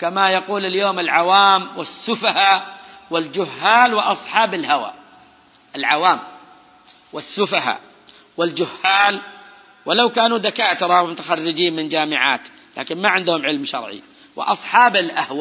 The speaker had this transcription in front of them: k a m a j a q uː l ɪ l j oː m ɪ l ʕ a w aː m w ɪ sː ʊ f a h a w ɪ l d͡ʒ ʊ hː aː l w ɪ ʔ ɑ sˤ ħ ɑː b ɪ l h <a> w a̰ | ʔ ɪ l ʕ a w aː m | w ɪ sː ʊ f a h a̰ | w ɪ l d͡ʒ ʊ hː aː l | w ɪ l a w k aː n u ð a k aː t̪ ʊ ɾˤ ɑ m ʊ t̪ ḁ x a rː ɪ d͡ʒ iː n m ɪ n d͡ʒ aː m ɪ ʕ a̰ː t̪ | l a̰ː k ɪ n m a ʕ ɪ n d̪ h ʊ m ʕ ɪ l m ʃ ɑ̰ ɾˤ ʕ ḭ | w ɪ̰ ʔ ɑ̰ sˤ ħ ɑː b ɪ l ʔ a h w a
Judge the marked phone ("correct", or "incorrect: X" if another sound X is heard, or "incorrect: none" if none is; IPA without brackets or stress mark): correct